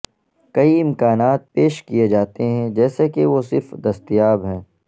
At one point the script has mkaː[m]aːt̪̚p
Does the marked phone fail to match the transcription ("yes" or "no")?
yes